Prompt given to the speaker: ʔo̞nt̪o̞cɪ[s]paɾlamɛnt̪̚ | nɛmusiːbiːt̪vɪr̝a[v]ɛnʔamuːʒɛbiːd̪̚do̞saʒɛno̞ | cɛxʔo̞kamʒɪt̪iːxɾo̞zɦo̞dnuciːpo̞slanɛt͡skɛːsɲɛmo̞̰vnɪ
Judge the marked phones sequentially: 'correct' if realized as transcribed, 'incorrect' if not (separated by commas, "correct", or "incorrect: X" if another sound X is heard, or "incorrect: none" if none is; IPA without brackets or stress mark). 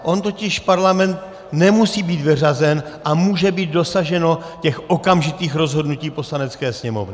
incorrect: ʃ, incorrect: z